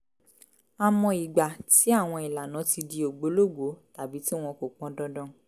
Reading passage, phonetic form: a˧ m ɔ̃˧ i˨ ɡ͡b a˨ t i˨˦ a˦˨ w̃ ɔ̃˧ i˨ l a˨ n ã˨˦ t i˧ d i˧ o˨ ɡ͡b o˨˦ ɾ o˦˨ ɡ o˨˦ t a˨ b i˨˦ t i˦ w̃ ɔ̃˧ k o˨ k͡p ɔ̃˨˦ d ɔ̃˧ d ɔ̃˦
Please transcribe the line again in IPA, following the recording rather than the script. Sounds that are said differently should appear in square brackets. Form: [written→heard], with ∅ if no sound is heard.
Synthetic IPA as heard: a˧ m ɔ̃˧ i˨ ɡ͡b a˨ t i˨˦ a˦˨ w̃ ɔ̃˧ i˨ l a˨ n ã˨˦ t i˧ d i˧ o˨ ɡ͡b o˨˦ [ɾ→l] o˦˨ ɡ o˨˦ t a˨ b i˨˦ t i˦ w̃ ɔ̃˧ k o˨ k͡p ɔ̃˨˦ d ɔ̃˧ d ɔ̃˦